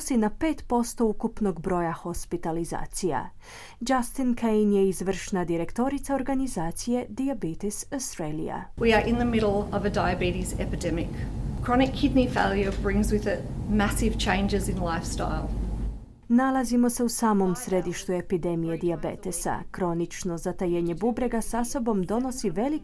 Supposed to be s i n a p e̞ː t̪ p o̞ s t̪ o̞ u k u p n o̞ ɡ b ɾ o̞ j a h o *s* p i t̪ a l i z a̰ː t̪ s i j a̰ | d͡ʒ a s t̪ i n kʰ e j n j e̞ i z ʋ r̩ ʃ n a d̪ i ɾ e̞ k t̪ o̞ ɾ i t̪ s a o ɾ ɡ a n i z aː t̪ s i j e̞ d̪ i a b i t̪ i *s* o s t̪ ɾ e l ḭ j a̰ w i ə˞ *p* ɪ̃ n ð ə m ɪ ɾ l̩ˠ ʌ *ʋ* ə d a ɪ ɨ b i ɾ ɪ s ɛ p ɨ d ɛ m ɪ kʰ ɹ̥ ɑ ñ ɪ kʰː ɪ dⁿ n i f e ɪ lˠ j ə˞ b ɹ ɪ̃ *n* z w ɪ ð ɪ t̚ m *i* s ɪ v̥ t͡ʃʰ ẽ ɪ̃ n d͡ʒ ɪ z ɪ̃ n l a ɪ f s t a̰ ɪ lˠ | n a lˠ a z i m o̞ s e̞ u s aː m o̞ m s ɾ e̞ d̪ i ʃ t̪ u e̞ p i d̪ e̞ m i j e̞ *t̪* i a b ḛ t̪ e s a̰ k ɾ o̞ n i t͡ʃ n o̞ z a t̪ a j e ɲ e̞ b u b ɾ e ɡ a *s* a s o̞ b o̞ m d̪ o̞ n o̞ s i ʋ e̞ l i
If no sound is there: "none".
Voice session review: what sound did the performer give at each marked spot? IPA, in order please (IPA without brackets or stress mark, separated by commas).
s, s, ʔ, v, ŋ, æ, d̪, s